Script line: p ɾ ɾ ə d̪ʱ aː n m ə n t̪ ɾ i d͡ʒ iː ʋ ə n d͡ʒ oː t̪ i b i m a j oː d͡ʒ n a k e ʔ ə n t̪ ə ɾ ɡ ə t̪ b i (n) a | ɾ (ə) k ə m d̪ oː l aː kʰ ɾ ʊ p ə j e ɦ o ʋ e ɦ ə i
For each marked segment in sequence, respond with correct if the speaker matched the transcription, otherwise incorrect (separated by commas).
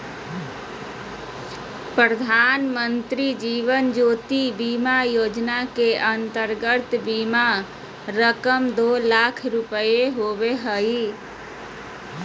incorrect, correct